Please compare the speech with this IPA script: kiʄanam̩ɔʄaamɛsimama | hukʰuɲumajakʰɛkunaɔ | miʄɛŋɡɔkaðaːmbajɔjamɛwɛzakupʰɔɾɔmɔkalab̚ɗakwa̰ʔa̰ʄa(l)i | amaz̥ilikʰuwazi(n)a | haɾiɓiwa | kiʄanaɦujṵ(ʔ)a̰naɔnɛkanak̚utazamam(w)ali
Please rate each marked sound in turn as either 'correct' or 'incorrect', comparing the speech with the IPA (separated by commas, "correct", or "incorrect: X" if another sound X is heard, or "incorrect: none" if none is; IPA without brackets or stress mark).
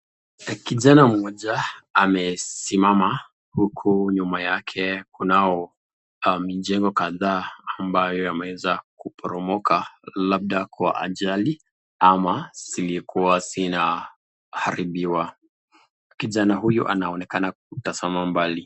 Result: correct, correct, correct, incorrect: b